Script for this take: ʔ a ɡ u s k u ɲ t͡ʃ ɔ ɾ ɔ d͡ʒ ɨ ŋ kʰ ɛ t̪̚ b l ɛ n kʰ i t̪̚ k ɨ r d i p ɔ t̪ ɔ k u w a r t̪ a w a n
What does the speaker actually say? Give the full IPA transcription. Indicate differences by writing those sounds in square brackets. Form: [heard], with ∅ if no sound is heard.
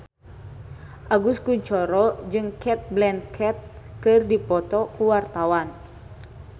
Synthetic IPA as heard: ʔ a ɡ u s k u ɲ t͡ʃ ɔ ɾ ɔ d͡ʒ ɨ ŋ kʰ ɛ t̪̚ b l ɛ n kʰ [ɛ] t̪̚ k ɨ r d i p ɔ t̪ ɔ k u w a r t̪ a w a n